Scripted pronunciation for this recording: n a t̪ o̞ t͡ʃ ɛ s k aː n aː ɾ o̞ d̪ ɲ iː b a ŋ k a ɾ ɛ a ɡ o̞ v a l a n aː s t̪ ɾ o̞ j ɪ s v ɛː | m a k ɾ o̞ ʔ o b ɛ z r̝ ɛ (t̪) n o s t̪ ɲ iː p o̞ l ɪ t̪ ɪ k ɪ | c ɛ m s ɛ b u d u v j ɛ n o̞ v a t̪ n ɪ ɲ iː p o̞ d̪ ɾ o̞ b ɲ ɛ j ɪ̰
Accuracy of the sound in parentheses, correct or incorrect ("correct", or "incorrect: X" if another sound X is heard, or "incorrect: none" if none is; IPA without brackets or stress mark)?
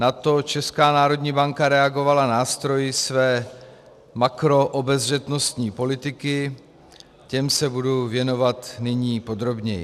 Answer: correct